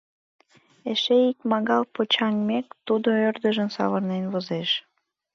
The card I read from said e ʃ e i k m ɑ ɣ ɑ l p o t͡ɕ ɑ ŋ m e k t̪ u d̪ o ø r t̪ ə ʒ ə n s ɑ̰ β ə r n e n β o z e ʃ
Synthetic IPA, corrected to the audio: e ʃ e i k m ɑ ɣ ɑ l p o t͡ɕ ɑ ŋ m e k t̪ u d̪ o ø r d̪ ə ʒ ə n s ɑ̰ β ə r n e n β o z e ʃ